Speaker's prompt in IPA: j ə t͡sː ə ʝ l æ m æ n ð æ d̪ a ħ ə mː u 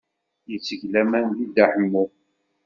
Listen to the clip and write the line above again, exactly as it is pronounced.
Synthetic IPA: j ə t͡sː ə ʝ l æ m æ n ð i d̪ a ħ ə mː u